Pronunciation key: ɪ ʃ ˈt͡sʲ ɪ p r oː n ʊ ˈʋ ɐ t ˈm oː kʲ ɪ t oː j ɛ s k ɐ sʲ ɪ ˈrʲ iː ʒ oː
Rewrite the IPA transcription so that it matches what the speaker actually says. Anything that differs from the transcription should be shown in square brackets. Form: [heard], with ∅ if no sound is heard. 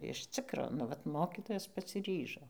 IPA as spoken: ɪ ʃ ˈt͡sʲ ɪ [k] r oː n ʊ ˈʋ ɐ t ˈm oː kʲ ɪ t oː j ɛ s [p] ɐ sʲ ɪ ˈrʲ iː ʒ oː